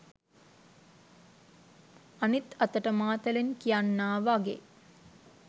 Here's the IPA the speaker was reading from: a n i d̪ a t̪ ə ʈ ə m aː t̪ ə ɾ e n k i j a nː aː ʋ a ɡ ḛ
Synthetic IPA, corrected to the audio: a n i t̪ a t̪ ə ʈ ə m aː t̪ ə l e n k i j a nː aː ʋ a ɡ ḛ